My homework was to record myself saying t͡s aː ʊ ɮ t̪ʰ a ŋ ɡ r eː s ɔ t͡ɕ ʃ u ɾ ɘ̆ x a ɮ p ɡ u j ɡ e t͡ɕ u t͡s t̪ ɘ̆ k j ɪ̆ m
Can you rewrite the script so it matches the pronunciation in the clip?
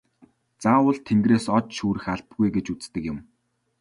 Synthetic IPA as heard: t͡s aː ʊ ɮ t̪ʰ e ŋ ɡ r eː s ɔ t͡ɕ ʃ uː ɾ ɘ̆ x a ɮ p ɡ u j ɡ e t͡ɕ u t͡s t̪ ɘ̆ k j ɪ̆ m